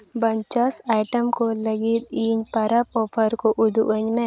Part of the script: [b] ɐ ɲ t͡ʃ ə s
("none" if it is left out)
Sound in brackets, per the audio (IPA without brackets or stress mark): b